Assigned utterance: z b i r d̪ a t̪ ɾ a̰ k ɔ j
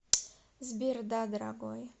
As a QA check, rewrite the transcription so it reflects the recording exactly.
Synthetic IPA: z b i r d̪ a d̪ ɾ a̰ ɡ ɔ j